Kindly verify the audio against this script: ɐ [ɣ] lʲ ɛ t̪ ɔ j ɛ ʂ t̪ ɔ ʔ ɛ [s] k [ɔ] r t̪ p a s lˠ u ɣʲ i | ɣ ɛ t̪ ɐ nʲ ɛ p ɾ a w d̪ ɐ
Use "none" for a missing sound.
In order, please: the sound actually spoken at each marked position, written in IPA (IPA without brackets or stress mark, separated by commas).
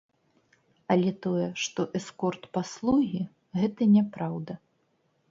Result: none, s, ɔ